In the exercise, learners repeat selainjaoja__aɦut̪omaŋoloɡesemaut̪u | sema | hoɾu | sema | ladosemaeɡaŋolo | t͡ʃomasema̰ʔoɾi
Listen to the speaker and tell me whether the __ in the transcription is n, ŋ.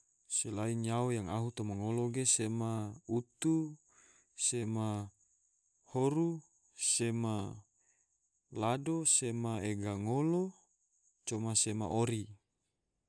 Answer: ŋ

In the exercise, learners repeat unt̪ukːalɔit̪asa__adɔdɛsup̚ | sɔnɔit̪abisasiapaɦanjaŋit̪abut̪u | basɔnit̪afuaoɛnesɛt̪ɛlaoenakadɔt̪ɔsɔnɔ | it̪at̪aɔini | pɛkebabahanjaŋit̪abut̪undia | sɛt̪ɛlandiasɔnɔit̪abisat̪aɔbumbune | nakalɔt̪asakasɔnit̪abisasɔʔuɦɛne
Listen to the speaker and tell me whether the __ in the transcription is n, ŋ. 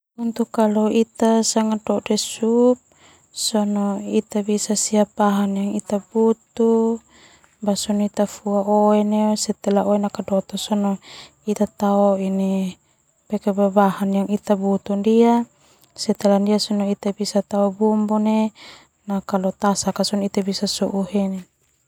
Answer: ŋ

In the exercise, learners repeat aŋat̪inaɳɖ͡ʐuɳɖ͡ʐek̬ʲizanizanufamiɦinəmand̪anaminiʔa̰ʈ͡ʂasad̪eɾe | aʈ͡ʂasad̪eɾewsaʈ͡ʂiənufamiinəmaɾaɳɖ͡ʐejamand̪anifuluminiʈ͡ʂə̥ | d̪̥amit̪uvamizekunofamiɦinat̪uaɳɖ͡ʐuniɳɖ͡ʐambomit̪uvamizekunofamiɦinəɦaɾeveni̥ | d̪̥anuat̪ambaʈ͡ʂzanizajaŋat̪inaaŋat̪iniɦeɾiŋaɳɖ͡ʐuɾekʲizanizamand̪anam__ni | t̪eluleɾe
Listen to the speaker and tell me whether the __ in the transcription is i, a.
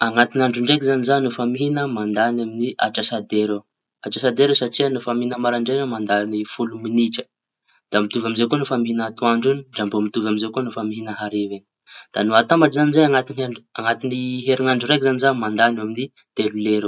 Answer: i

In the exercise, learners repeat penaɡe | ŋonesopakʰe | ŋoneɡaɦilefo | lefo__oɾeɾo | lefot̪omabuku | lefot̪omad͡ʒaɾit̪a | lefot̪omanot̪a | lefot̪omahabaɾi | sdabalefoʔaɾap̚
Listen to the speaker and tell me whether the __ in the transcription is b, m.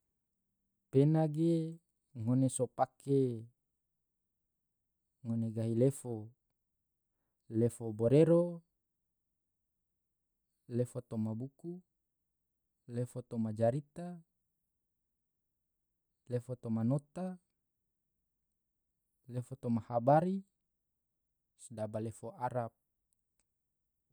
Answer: b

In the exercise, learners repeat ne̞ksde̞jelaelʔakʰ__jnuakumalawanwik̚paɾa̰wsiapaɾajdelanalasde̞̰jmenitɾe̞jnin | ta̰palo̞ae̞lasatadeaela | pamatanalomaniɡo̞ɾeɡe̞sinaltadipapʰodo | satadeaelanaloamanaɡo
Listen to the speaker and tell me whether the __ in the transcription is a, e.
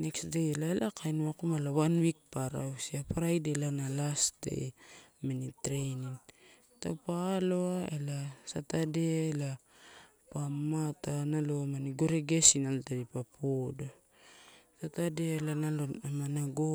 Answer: a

